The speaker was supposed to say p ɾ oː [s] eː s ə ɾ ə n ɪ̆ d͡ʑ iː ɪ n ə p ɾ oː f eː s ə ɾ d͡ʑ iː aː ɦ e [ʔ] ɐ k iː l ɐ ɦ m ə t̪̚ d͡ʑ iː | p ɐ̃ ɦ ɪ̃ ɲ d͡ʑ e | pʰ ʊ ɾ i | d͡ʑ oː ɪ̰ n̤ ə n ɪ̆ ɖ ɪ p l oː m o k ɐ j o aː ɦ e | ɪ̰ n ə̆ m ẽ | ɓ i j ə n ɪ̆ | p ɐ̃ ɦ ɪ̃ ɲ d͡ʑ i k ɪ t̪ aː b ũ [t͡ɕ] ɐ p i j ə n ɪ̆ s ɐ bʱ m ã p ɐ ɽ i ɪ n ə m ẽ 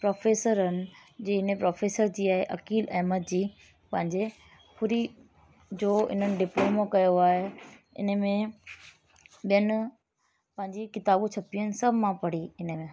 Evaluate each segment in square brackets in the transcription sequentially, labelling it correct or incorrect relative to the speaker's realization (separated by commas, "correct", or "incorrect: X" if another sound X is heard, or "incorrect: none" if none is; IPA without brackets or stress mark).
incorrect: f, correct, incorrect: t͡ɕʰ